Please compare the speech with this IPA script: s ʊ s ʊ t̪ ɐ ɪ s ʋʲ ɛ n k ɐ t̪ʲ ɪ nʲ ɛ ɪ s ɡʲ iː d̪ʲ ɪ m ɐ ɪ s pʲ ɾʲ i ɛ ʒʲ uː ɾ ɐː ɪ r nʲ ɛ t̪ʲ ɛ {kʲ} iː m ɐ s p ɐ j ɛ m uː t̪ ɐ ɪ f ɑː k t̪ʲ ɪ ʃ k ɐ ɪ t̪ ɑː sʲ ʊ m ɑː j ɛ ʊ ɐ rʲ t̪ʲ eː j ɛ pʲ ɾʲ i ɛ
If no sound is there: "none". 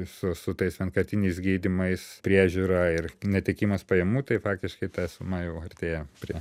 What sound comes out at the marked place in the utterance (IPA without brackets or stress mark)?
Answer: kʲ